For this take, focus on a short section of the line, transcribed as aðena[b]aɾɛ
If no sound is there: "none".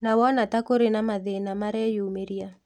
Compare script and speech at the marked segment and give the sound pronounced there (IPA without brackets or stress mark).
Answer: m